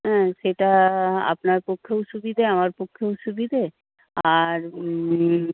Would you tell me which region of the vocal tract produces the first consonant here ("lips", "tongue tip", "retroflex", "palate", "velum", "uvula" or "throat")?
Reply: throat